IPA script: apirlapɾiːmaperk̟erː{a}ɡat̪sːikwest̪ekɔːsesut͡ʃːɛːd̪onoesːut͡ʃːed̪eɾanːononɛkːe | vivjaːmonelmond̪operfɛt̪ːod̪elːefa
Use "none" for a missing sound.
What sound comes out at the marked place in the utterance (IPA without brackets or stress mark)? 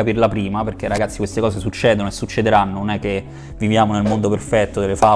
a